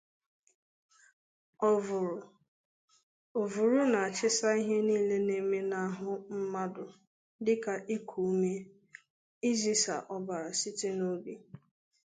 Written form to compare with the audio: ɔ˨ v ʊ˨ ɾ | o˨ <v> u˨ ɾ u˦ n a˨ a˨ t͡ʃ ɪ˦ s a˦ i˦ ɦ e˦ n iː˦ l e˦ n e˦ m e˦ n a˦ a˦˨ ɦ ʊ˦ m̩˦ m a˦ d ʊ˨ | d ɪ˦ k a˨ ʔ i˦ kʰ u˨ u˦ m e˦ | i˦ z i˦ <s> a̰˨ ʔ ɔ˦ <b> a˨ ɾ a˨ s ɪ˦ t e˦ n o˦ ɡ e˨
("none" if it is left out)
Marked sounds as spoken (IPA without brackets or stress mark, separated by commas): v, s, b